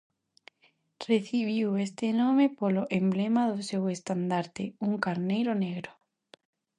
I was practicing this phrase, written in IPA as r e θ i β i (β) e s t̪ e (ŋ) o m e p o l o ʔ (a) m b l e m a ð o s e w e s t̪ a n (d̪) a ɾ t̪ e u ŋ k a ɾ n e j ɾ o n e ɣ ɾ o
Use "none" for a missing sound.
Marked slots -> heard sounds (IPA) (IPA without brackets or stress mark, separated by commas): w, n, e, d̪